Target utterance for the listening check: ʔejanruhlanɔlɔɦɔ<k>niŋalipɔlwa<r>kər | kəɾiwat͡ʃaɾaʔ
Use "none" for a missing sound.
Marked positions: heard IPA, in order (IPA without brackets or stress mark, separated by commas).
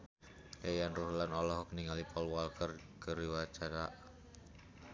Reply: k, l